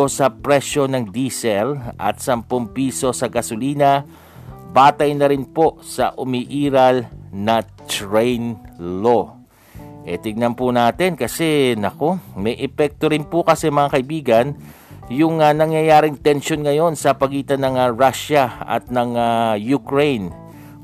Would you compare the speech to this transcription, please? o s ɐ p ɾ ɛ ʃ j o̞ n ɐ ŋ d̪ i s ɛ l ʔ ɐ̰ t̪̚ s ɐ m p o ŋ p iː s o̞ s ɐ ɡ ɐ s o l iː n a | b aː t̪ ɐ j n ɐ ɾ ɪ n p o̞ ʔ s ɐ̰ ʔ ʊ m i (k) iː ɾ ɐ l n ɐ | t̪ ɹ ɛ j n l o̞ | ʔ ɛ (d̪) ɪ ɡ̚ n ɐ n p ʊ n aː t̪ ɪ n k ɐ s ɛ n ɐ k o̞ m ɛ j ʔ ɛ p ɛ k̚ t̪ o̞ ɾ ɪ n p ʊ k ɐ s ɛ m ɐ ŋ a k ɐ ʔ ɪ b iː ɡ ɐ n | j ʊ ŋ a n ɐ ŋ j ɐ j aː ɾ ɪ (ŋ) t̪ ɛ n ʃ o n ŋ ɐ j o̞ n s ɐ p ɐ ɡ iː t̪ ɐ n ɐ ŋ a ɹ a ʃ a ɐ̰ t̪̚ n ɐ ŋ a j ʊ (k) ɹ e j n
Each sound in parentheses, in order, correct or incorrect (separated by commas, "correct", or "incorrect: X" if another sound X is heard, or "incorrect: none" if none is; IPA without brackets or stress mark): incorrect: ʔ, incorrect: t̪, correct, correct